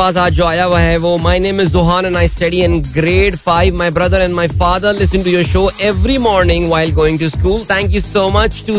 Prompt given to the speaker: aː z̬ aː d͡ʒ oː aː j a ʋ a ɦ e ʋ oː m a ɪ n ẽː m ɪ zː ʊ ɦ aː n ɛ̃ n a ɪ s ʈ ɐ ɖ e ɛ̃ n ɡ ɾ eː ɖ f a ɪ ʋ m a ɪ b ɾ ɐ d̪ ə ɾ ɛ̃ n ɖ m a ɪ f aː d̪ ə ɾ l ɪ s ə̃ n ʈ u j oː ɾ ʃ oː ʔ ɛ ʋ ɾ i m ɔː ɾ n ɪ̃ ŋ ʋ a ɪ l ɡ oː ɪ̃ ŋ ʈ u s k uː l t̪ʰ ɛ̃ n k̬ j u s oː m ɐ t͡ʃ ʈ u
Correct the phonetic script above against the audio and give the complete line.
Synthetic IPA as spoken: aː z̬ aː d͡ʒ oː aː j a ʋ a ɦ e ʋ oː m a ɪ n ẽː m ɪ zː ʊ ɦ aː n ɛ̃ n a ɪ s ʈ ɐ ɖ i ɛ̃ n ɡ ɾ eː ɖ f a ɪ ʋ m a ɪ b ɾ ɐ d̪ ə ɾ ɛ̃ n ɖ m a ɪ f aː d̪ ə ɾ l ɪ s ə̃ n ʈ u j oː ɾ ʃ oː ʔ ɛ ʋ ɾ i m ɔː ɾ n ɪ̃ ŋ ʋ a ɪ l ɡ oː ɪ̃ ŋ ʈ u s k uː l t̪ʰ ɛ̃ ŋ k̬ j u s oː m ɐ t͡ʃ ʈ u